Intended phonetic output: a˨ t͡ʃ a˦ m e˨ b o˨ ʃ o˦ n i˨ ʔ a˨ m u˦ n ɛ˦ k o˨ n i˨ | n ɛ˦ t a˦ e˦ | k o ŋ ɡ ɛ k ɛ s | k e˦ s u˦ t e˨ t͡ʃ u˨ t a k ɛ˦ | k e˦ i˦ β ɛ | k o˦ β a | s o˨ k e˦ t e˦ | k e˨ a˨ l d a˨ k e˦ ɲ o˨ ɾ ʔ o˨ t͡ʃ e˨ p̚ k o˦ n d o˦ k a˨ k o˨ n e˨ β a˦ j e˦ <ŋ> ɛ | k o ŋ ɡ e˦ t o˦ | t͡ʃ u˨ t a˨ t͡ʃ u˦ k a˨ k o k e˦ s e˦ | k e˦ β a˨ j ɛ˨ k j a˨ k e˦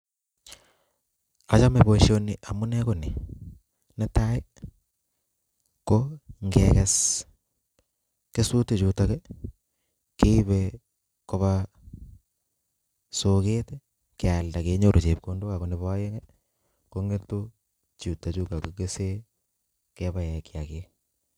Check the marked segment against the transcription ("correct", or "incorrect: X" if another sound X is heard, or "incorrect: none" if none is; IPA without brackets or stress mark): correct